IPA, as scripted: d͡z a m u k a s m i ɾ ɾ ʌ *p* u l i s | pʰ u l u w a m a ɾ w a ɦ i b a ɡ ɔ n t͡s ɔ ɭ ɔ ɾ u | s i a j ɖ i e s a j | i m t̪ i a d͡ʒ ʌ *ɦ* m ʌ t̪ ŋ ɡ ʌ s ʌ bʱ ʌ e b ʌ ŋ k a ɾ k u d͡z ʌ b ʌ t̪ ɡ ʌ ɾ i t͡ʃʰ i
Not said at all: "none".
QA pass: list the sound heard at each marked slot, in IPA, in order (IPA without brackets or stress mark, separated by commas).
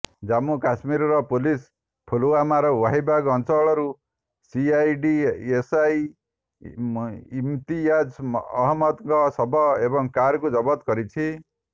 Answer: p, ɦ